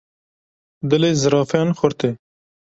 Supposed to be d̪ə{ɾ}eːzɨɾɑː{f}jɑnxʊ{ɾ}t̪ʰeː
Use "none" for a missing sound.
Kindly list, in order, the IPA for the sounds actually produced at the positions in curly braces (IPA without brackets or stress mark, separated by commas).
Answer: l, f, ɾ